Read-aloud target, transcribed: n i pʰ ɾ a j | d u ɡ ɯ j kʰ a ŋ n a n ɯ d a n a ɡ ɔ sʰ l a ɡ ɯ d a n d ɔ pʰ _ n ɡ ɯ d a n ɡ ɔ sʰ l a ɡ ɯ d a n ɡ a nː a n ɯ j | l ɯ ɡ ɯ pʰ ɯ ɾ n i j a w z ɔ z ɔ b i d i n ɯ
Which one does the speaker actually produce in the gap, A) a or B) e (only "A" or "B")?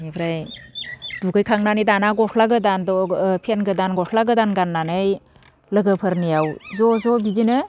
B